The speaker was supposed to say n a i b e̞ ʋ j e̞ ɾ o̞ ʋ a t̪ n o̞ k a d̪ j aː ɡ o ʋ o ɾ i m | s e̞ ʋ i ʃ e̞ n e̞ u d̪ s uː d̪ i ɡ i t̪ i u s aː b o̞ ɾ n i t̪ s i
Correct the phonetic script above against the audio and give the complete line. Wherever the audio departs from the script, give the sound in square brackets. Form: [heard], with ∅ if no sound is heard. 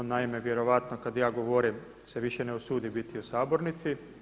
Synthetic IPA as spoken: n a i [m] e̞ ʋ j e̞ ɾ o̞ ʋ a t̪ n o̞ k a d̪ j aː ɡ o ʋ o ɾ i m | s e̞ ʋ i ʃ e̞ n e̞ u [∅] s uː d̪ i [b] i t̪ i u s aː b o̞ ɾ n i t̪ s i

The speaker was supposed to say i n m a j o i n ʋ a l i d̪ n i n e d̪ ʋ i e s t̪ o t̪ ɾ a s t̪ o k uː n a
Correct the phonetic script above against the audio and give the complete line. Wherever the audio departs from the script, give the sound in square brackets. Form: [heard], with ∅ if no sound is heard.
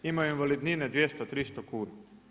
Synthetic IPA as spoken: i [∅] m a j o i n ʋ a l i d̪ n i n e d̪ ʋ [j] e s t̪ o t̪ ɾ [i] s t̪ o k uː n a

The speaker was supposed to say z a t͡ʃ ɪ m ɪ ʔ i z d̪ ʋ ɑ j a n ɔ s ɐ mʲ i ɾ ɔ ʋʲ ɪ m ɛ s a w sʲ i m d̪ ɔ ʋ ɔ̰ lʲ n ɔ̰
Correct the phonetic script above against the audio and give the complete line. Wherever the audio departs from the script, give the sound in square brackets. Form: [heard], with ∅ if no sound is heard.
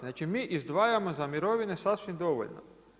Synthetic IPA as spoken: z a t͡ʃ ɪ m ɪ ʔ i z d̪ ʋ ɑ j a [m] ɔ [z] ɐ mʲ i ɾ ɔ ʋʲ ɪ [n] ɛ s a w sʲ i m d̪ ɔ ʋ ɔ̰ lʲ n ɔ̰

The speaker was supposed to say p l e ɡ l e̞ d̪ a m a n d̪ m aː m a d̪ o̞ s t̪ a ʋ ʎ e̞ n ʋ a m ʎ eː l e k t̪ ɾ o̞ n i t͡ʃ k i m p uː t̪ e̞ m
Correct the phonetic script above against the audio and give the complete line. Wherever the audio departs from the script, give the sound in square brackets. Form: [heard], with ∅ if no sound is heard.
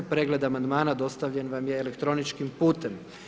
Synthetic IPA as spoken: p [ɾ] e ɡ l e̞ d̪ a m a n d̪ m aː [n] a d̪ o̞ s t̪ a ʋ ʎ e̞ n ʋ a m [j] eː l e k t̪ ɾ o̞ n i t͡ʃ k i m p uː t̪ e̞ m

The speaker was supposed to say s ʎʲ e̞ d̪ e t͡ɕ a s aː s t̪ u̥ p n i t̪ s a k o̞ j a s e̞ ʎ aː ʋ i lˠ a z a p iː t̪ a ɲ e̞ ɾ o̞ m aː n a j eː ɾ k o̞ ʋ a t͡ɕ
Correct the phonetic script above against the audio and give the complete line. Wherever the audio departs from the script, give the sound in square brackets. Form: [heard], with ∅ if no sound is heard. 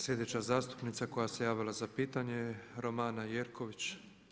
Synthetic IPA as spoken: s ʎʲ e̞ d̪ e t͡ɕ a [z] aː s t̪ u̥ p n i t̪ s a k o̞ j a s e̞ [j] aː ʋ i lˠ a z a p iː t̪ a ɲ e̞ ɾ o̞ m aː n a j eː ɾ k o̞ ʋ [i] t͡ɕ

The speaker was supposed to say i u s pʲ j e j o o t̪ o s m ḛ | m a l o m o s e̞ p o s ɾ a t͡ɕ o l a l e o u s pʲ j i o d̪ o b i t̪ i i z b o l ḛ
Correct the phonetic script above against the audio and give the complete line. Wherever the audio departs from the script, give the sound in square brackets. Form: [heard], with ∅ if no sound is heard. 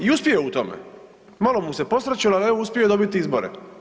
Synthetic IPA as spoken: i u s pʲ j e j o [u] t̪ o [∅] m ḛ | m a l o m [u] s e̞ p o s ɾ a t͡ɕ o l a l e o u s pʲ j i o d̪ o b i t̪ i i z b o [ɾ] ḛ

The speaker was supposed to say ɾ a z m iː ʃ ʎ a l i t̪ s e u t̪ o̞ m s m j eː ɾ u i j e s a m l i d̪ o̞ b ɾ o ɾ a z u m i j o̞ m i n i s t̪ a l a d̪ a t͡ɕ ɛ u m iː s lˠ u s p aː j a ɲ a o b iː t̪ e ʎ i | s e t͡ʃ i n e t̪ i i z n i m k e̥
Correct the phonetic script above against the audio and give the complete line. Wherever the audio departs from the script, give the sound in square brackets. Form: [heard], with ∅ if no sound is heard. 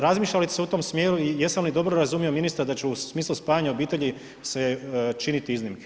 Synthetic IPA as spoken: ɾ a z m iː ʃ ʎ a l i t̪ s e u t̪ o̞ m s m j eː ɾ u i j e s a m l i d̪ o̞ b ɾ o ɾ a z u m i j o̞ m i n i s t̪ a [ɾ] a d̪ a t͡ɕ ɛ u m iː s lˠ u s p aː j a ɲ a o b iː t̪ e ʎ i | s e t͡ʃ i n [i] t̪ i i z n i m k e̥

